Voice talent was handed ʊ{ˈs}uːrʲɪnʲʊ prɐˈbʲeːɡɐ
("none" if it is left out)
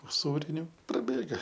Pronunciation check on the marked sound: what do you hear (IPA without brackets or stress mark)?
s